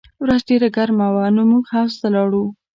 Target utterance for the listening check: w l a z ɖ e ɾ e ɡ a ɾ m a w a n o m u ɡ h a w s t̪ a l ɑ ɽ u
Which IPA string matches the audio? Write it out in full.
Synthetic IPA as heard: w ɾ a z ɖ e ɾ a ɡ a ɾ m a w a n o m u ɡ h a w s t̪ a l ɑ ɽ u